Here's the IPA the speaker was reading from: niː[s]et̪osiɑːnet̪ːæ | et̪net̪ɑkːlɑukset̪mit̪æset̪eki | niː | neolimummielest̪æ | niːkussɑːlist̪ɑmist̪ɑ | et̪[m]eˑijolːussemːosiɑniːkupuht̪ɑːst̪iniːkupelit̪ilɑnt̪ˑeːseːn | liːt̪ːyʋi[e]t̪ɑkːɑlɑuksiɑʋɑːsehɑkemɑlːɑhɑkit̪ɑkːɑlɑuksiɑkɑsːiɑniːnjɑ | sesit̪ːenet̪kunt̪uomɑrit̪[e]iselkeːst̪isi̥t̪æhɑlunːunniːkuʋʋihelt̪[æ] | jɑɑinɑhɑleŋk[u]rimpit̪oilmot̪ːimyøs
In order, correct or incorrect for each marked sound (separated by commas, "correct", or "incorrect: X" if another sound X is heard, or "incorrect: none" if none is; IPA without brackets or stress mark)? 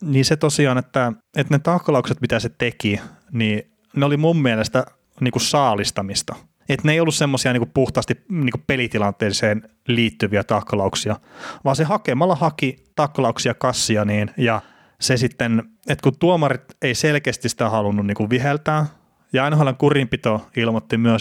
correct, incorrect: n, incorrect: æ, correct, incorrect: æː, correct